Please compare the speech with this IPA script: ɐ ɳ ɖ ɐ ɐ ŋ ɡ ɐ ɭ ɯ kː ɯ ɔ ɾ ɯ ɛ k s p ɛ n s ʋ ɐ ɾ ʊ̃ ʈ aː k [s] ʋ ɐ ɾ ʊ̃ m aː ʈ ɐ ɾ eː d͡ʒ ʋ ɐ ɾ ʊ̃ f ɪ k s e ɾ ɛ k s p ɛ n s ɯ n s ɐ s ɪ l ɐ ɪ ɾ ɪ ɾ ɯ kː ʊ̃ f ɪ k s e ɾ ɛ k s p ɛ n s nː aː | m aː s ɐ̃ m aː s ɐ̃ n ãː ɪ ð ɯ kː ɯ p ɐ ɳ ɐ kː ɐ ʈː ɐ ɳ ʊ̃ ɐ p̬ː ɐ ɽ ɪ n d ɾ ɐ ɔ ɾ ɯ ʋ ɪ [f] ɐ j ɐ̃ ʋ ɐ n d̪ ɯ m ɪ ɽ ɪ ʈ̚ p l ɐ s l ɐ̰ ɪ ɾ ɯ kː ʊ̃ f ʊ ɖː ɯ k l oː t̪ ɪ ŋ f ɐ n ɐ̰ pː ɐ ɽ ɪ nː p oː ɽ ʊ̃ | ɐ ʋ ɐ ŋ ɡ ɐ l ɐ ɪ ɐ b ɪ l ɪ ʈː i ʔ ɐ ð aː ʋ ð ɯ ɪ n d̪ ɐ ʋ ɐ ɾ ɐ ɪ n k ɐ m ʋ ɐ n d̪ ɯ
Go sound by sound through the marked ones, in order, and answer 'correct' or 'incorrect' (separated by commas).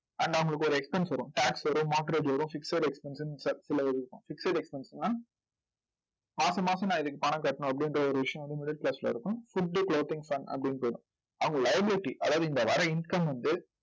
correct, incorrect